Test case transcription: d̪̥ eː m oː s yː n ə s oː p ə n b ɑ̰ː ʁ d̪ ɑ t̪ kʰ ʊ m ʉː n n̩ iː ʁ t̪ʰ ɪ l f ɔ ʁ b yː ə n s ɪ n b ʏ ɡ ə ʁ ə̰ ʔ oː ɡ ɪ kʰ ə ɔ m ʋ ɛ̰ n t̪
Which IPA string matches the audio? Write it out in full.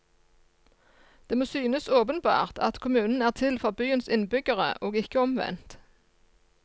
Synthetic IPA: d̪̥ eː m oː s yː n ə s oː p ə n b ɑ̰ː ʁ t̪ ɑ t̪ kʰ ʊ m ʉː n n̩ æː ʁ t̪ʰ ɪ l f ɔ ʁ b yː ə n s ɪ n b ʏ ɡ ə ʁ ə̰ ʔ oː ɡ ɪ k ə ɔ m ʋ ɛ̰ n t̪